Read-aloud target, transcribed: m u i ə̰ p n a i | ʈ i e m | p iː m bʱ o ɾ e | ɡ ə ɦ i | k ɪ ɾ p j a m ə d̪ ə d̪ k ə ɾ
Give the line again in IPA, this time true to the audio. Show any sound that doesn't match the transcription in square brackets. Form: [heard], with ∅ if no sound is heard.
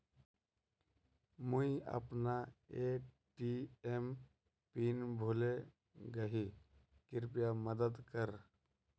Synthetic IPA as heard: m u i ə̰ p n a [e] | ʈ i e m | p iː [n] bʱ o [l] e | ɡ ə ɦ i | k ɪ ɾ p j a m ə d̪ ə d̪ k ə ɾ